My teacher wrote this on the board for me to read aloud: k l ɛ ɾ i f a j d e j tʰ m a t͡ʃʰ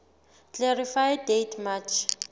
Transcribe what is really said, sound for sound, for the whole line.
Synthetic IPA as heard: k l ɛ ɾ i f a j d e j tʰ m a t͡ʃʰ